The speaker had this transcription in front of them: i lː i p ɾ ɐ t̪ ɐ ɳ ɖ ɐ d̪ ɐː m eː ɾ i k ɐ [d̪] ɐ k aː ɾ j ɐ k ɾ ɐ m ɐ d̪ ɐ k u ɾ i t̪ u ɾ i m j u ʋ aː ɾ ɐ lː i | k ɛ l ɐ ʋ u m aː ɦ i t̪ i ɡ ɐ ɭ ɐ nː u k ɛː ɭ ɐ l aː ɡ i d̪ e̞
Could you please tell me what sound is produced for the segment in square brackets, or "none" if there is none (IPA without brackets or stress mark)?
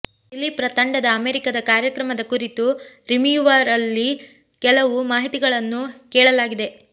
d̪